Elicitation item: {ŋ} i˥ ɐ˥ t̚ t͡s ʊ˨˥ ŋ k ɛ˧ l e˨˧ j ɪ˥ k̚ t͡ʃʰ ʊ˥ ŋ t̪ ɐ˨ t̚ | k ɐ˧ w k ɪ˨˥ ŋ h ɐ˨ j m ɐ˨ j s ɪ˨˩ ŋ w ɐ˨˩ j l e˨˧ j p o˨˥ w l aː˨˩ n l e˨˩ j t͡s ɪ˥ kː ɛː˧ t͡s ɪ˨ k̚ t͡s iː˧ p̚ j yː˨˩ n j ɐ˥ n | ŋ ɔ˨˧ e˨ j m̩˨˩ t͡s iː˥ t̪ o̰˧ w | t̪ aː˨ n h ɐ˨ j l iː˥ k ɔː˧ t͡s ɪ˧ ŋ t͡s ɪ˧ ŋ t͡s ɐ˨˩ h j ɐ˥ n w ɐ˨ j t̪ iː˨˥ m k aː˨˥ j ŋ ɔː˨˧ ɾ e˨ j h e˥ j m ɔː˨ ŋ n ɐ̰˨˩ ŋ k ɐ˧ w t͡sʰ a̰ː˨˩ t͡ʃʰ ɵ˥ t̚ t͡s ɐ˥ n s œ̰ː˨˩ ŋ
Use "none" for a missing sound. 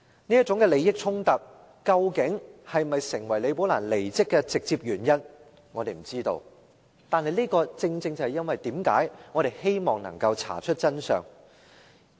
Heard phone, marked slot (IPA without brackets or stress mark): n